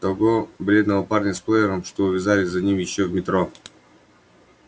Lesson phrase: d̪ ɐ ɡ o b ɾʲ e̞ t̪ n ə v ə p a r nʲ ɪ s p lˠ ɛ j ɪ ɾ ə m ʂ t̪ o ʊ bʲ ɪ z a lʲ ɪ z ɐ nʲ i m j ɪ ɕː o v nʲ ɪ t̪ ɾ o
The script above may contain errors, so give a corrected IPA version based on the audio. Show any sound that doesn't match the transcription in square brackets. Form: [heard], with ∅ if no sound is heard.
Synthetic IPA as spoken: [t̪] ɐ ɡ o b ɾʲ e̞ [d̪] n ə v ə p a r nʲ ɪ s p lˠ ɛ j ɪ ɾ ə m ʂ t̪ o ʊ [vʲ] ɪ z a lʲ ɪ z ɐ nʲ i m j ɪ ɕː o v [mʲ] ɪ t̪ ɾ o